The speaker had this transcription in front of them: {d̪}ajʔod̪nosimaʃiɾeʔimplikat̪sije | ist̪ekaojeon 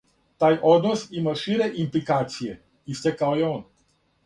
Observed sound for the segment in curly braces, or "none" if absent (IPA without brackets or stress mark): t̪